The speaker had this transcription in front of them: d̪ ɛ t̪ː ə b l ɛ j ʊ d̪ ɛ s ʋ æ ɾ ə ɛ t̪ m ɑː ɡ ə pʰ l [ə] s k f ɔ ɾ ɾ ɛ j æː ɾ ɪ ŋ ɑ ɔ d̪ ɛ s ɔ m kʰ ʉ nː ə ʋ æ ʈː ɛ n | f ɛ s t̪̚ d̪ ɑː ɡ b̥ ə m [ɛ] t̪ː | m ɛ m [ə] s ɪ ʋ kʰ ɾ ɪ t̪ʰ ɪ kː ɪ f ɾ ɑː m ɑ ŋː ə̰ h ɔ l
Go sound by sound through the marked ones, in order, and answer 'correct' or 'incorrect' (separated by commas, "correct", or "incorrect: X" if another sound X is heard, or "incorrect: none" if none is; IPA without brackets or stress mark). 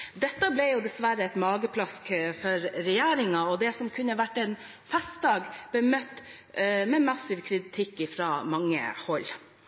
incorrect: ɑ, incorrect: œ, incorrect: ɑ